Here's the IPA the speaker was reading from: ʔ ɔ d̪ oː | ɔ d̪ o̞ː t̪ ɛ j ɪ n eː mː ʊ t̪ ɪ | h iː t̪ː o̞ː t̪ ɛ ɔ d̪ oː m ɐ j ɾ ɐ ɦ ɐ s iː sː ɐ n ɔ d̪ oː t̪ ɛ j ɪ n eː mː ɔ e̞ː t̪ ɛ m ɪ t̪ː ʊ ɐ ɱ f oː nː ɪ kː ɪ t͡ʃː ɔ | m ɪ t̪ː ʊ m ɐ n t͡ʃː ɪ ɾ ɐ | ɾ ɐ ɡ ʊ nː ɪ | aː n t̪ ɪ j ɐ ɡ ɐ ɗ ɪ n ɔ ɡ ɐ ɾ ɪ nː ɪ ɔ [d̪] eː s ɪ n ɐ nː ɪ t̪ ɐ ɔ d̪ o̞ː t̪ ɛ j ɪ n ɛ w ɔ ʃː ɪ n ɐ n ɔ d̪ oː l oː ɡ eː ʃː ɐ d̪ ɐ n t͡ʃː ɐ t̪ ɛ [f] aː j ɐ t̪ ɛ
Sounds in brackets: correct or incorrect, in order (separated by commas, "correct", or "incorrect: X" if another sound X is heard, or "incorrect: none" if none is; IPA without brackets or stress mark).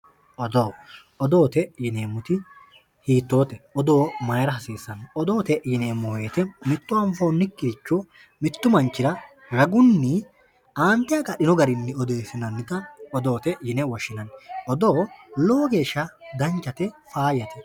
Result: correct, correct